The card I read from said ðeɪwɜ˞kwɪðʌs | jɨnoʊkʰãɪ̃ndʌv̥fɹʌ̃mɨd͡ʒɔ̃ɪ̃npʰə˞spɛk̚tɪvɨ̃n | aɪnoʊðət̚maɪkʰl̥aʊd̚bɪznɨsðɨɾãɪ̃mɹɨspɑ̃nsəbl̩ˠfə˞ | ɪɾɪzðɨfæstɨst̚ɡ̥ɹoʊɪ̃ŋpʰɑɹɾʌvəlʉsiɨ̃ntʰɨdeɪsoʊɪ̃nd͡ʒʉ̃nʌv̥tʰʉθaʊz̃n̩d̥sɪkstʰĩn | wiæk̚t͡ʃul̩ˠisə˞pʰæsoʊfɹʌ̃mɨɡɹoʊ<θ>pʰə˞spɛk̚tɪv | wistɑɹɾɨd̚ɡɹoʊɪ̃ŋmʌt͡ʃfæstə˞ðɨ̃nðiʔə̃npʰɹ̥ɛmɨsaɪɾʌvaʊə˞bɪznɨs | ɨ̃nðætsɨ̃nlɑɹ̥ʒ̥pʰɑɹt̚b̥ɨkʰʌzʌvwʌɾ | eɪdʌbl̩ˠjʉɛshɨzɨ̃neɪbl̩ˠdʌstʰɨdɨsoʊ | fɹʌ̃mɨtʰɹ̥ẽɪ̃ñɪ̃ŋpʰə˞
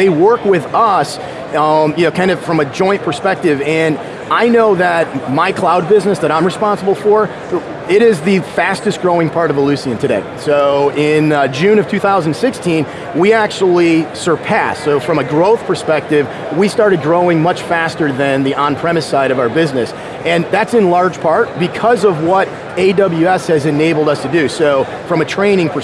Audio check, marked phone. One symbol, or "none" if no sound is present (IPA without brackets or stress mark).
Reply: θ